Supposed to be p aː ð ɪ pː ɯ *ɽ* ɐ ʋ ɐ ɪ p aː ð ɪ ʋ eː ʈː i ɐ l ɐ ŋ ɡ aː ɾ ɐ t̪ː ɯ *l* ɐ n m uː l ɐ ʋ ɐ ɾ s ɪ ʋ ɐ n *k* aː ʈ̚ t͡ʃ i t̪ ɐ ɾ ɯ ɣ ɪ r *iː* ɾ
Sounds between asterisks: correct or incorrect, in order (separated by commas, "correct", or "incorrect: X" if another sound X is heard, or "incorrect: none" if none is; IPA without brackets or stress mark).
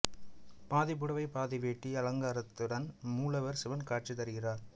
correct, incorrect: ɽ, correct, incorrect: aː